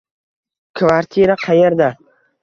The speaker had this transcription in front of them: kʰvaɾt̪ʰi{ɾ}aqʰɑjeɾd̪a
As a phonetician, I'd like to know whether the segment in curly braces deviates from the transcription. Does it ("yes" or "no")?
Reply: no